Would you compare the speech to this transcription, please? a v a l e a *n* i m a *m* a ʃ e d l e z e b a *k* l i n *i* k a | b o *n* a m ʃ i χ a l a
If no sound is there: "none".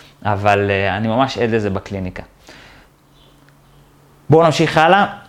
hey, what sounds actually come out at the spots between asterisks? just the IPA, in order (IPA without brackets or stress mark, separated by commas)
n, m, k, i, n